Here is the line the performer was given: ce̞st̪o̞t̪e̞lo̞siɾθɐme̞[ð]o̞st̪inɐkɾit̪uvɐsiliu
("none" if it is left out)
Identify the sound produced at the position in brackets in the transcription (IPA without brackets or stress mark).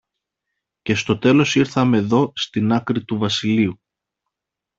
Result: ð